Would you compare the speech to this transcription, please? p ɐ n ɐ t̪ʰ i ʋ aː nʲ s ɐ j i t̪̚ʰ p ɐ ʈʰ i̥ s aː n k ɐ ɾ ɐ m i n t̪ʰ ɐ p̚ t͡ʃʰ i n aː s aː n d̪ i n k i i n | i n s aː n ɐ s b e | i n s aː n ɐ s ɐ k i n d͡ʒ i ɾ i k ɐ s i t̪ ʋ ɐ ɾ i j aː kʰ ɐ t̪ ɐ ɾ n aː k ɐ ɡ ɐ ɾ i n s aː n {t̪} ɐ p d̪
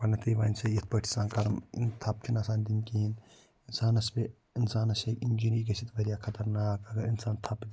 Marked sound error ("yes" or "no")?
yes